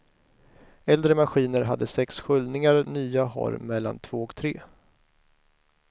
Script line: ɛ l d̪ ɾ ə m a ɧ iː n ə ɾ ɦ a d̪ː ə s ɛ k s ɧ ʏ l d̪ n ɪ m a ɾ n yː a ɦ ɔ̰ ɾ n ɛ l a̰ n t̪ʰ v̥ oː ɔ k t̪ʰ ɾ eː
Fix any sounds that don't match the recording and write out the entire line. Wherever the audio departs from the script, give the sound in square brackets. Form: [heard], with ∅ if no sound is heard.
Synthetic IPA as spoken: ɛ l d̪ ɾ ə m a ɧ iː n ə ɾ ɦ a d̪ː ə s ɛ k s ɧ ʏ l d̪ n ɪ [ŋ] a ɾ n yː a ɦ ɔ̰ ɾ [m] ɛ [lː] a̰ n t̪ʰ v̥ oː ɔ k t̪ʰ ɾ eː